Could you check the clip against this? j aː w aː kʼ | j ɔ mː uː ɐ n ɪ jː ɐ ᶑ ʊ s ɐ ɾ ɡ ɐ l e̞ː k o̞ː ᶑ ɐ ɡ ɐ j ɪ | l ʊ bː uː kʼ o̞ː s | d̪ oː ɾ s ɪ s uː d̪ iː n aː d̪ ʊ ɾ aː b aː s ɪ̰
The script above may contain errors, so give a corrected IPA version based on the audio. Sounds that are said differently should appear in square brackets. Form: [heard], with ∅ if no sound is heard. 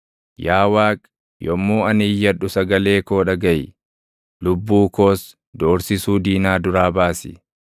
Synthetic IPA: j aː w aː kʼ | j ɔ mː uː ɐ n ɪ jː ɐ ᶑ ʊ s ɐ [∅] ɡ ɐ l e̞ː k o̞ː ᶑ ɐ ɡ ɐ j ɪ | l ʊ bː uː [k] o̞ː s | d̪ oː ɾ s ɪ s uː d̪ iː n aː d̪ ʊ ɾ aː b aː s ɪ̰